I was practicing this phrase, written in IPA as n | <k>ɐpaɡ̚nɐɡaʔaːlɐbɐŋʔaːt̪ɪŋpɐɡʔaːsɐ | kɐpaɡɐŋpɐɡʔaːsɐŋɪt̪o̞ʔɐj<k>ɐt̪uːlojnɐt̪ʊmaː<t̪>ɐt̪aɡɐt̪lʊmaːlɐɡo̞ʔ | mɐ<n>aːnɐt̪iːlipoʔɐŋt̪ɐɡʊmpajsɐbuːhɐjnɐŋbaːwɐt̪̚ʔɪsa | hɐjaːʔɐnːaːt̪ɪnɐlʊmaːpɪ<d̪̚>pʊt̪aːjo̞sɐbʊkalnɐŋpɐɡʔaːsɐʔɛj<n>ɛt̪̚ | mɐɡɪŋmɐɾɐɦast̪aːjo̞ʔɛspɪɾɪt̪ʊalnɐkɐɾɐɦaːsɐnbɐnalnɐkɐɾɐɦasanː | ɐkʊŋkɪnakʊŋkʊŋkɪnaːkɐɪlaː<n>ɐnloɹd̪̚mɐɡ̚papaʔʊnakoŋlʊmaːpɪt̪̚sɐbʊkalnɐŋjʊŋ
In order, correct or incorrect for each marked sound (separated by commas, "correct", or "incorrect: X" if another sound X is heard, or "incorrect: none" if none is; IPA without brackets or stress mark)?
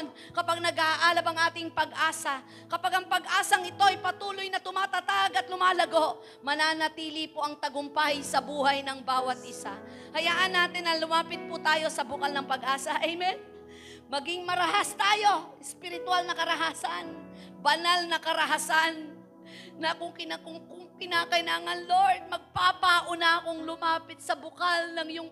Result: correct, incorrect: p, correct, correct, incorrect: t̪̚, incorrect: m, incorrect: ŋ